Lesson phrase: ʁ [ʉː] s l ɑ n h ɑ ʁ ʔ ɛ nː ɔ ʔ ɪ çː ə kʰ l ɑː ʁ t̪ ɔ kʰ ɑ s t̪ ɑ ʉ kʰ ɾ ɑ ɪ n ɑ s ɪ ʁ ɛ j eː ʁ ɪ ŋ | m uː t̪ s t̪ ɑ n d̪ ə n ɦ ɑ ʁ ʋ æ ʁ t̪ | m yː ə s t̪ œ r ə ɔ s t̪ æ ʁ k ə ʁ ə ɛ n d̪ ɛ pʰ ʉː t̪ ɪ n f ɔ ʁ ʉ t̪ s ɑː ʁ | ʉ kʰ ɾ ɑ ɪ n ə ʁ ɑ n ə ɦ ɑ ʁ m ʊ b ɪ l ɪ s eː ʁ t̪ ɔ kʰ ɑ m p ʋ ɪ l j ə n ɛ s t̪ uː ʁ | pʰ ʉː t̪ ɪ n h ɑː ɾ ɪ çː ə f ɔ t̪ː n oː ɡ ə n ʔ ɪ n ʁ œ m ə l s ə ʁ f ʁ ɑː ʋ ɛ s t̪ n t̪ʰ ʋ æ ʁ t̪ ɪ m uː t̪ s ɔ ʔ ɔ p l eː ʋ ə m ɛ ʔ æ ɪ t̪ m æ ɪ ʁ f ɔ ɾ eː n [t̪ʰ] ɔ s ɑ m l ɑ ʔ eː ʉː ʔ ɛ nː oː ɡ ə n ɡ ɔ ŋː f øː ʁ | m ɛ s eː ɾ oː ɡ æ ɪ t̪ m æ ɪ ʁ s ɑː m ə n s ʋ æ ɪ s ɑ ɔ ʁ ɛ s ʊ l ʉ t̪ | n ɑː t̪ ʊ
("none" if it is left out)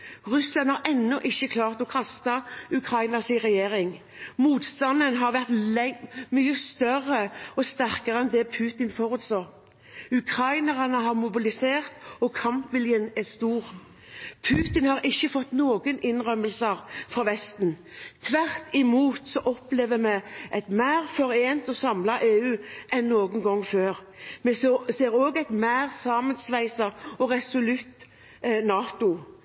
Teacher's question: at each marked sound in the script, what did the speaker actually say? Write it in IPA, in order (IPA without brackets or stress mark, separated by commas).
ʉ, t̪